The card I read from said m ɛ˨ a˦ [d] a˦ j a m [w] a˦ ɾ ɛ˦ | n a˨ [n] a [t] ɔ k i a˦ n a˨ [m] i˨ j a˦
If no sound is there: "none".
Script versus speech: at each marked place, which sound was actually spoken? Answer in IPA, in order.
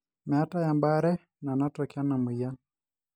t, b, n, t, m

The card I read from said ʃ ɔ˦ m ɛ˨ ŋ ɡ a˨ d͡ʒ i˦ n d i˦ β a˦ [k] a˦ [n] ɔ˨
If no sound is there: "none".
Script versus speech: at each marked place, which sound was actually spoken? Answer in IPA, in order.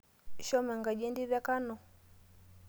k, n

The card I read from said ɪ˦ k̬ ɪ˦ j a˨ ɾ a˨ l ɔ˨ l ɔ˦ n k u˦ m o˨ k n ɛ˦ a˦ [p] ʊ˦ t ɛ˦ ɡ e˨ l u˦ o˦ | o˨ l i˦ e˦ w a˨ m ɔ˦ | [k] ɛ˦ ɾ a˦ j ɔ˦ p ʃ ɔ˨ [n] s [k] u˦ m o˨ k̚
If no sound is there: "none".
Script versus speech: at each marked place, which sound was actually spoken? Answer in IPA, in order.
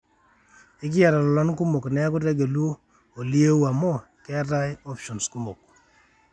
k, k, n, k

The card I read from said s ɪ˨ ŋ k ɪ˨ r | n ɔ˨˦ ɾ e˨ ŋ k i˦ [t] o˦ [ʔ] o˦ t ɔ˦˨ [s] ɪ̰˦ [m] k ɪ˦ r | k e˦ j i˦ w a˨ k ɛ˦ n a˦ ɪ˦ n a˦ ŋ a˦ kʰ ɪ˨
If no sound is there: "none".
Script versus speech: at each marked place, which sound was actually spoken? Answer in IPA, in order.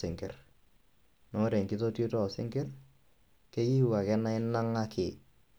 t, t, s, ŋ

